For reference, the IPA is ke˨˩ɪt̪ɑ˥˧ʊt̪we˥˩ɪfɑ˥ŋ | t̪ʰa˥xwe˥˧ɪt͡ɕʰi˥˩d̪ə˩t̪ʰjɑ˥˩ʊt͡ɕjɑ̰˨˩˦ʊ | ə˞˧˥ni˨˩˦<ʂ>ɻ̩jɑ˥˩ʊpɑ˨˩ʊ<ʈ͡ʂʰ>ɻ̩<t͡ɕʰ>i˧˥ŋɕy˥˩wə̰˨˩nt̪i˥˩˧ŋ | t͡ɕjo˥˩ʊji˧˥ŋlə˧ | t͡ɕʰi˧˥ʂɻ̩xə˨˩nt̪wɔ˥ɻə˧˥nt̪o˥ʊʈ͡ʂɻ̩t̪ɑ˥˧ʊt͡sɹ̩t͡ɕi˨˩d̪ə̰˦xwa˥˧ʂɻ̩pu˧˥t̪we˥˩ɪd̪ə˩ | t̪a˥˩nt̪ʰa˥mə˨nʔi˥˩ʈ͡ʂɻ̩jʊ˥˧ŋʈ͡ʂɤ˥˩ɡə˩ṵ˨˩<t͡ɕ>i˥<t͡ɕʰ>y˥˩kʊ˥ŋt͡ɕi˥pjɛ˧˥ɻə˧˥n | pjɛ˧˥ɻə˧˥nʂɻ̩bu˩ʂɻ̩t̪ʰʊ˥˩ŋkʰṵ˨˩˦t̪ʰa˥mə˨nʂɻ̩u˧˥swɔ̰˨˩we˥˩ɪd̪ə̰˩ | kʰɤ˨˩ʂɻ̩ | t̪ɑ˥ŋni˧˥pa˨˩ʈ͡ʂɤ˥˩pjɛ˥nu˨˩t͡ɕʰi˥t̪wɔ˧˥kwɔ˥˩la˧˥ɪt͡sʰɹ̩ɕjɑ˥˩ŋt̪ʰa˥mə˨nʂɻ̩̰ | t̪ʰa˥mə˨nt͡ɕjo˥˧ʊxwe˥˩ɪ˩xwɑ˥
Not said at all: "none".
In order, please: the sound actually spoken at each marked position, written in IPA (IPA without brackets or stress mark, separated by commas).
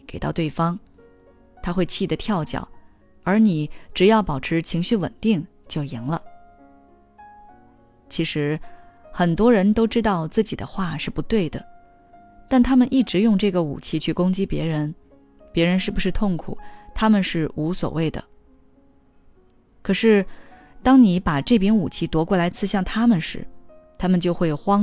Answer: ʈ͡ʂ, ʈ͡ʂʰ, t͡ɕʰ, t͡ɕʰ, t͡ɕʰ